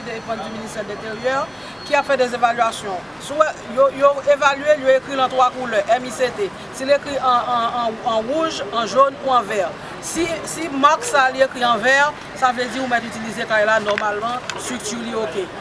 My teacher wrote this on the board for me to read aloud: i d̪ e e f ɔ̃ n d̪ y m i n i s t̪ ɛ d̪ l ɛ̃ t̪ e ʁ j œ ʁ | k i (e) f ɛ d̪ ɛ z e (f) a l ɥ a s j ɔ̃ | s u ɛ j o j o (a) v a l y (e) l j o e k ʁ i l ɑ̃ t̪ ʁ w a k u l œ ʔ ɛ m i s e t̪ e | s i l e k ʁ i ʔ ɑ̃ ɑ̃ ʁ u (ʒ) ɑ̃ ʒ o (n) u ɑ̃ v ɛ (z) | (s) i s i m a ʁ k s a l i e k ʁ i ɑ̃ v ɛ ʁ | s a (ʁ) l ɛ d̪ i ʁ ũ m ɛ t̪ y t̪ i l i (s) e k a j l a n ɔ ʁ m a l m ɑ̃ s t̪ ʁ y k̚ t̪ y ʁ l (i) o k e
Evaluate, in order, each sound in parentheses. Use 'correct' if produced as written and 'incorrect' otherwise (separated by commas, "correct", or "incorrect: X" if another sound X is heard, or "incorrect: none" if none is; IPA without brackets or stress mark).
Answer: incorrect: a, incorrect: v, incorrect: e, correct, correct, correct, incorrect: ʁ, correct, incorrect: v, incorrect: z, correct